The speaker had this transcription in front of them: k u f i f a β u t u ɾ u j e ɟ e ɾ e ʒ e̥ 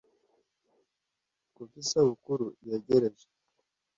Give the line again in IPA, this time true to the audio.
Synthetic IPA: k u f i s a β u k u ɾ u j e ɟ e ɾ e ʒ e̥